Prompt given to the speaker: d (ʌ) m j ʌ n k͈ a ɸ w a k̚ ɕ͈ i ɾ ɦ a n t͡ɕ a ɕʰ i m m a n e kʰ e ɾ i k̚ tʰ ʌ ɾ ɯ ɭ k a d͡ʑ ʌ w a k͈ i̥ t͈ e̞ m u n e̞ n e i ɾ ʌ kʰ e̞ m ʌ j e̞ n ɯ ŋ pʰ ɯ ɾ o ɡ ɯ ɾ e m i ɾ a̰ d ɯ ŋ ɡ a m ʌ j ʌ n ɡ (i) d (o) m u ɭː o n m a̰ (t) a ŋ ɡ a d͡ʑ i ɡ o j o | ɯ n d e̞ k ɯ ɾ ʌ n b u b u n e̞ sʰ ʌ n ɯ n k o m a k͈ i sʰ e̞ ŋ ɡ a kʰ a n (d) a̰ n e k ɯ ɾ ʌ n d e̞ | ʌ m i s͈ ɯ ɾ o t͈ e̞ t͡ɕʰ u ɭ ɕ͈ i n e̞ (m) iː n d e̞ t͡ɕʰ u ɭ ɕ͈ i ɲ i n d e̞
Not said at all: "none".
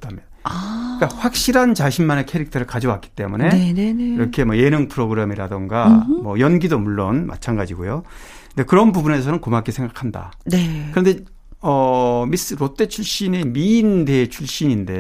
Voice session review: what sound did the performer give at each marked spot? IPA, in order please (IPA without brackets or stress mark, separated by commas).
a, i, o, t͡ɕʰ, d, m